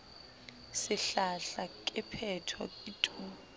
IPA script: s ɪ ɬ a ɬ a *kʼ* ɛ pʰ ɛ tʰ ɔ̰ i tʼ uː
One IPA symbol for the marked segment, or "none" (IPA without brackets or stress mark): kʼ